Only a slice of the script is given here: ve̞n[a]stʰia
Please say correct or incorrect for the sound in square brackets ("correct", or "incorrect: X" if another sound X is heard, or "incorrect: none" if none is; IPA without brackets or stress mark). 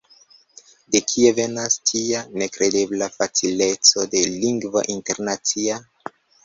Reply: correct